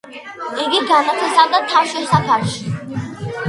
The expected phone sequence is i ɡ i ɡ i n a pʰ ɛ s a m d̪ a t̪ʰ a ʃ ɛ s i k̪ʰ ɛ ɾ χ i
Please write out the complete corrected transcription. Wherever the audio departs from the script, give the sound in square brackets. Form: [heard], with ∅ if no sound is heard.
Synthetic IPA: i ɡ i ɡ [a] n a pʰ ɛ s a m d̪ a t̪ʰ a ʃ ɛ s [a] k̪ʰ [a] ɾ [ʃ] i